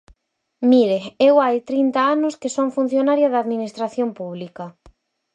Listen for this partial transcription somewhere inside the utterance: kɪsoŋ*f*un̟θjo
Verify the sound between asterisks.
correct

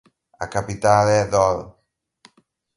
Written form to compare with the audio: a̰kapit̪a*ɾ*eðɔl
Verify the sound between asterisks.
incorrect: l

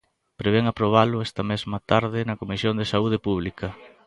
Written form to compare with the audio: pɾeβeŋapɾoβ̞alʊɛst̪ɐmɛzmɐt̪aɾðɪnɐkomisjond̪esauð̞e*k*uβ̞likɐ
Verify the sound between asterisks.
incorrect: p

